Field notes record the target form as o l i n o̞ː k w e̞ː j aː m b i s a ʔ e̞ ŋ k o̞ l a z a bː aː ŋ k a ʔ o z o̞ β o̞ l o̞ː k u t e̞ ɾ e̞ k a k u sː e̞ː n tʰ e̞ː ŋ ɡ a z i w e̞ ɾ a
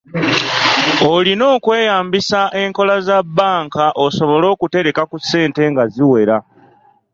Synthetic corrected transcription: o l i n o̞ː k w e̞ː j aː m b i s a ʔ e̞ ŋ k o̞ l a z a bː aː ŋ k a ʔ o s o̞ β o̞ l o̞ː k u t e̞ ɾ e̞ k a k u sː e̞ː n t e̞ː ŋ ɡ a z i w e̞ ɾ a